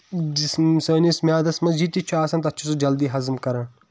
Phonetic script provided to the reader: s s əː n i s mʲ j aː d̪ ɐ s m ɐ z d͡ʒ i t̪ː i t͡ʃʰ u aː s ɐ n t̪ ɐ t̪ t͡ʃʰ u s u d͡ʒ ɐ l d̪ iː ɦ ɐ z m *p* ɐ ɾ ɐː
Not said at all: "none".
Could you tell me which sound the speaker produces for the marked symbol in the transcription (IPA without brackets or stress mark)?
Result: k